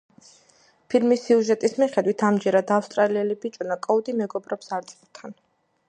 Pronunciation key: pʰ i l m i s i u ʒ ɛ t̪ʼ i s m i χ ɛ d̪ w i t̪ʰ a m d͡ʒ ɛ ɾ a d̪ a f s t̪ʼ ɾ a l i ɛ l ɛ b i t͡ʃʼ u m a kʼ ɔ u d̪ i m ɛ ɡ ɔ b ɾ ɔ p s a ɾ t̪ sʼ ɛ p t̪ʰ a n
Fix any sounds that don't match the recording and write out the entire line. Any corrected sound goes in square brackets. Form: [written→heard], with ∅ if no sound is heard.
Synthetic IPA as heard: pʰ i l m i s i u ʒ ɛ t̪ʼ i s m i χ ɛ d̪ w i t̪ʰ a m d͡ʒ ɛ ɾ a d̪ a f s t̪ʼ ɾ a l i ɛ l [ɛ→i] b i t͡ʃʼ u [m→n] a kʼ ɔ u d̪ i m ɛ ɡ ɔ b ɾ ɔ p s a ɾ t̪ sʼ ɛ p t̪ʰ a n